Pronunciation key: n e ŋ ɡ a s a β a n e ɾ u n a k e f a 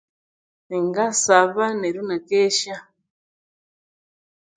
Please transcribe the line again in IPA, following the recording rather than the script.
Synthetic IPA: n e ŋ ɡ a s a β a n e ɾ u n a k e ʃ a